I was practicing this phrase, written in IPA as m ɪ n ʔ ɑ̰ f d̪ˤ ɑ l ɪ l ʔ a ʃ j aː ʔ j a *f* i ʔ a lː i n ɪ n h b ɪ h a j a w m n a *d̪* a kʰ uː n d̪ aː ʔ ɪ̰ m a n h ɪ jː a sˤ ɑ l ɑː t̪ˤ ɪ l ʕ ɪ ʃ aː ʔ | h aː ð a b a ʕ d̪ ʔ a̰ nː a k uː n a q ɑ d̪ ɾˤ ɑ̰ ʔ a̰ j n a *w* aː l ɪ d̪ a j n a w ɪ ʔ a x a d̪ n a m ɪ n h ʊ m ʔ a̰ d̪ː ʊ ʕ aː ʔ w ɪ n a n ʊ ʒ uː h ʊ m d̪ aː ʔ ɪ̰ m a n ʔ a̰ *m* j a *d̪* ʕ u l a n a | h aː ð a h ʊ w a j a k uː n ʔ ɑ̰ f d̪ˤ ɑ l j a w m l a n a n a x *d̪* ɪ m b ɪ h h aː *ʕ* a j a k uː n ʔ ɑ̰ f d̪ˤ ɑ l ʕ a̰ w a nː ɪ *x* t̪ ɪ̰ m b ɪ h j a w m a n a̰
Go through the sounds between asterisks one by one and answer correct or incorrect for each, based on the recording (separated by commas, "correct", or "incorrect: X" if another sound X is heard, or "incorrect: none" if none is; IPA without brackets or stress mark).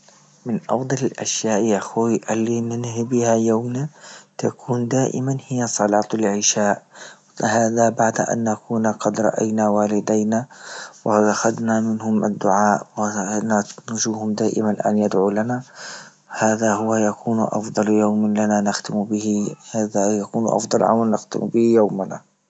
incorrect: x, incorrect: t̪, correct, incorrect: n, correct, incorrect: t̪, incorrect: ð, correct